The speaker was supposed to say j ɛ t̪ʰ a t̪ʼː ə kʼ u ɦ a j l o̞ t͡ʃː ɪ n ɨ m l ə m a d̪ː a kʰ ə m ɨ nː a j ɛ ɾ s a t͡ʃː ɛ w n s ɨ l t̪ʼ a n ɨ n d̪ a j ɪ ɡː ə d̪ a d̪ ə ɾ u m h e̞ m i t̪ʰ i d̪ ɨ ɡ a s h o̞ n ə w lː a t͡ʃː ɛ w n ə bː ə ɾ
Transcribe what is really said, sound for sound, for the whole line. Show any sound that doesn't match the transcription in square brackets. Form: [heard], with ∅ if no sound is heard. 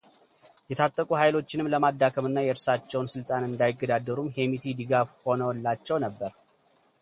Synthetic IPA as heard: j ɛ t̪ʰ a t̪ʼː ə kʼ u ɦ a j l o̞ t͡ʃː ɪ n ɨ m l ə m a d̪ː a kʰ ə m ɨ nː a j ɛ ɾ s a t͡ʃː ɛ w n s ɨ l t̪ʼ a n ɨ n d̪ a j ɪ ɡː ə d̪ a d̪ ə ɾ u m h e̞ m i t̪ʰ i d̪ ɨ ɡ a [f] h o̞ n ə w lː a t͡ʃː ɛ w n ə bː ə ɾ